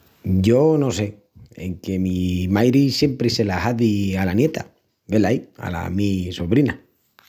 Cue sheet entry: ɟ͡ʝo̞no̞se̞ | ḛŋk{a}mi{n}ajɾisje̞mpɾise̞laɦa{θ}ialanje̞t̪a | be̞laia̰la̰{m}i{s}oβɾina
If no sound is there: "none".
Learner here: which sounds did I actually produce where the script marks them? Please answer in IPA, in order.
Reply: e, m, ð, m, s

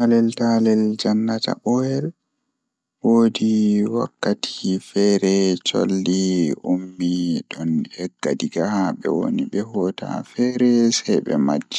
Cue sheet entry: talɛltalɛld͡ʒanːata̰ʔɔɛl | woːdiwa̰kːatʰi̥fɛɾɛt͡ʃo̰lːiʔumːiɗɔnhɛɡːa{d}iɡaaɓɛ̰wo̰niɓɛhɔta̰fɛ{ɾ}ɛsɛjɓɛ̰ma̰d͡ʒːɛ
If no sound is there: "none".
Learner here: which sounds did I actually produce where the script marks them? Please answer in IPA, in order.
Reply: d, ɾ

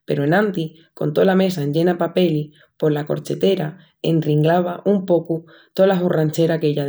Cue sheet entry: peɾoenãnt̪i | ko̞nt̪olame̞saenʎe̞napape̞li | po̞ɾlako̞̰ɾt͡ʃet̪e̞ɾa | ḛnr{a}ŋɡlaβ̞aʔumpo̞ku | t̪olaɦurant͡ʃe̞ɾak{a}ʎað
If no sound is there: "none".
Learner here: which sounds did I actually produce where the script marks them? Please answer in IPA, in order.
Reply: i, e

